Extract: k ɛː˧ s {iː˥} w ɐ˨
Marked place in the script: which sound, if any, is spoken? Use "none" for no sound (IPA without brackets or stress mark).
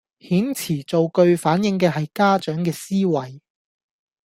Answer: iː˥